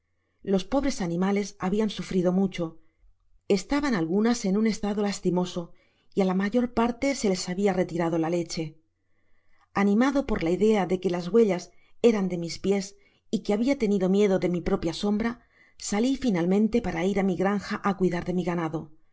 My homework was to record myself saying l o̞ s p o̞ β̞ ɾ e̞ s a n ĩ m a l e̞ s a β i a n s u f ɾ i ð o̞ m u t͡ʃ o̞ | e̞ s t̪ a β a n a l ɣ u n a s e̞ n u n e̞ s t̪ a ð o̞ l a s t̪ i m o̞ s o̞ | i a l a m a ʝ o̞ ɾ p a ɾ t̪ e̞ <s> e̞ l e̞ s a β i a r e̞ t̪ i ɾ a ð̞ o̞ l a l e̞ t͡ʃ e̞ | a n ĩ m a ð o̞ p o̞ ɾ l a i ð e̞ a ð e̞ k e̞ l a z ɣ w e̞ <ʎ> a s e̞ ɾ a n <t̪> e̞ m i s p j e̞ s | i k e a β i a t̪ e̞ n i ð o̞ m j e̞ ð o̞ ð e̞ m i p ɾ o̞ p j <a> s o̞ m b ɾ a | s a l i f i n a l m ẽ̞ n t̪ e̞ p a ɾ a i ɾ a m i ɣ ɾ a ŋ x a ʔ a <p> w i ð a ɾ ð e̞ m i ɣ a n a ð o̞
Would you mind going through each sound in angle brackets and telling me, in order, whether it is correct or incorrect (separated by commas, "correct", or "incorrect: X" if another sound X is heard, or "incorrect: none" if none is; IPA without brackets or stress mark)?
correct, correct, incorrect: d̪, correct, incorrect: k